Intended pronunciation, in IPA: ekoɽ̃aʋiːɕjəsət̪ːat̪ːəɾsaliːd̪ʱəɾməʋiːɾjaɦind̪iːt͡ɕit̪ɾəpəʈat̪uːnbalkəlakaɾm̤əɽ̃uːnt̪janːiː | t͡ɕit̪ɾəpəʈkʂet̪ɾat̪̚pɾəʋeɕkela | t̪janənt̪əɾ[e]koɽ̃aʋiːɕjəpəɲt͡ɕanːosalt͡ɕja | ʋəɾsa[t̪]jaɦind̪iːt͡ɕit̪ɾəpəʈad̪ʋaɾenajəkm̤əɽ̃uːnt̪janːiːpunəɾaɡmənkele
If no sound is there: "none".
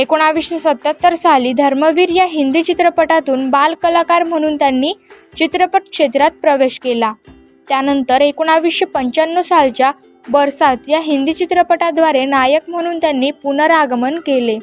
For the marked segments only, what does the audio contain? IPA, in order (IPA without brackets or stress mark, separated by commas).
e, t̪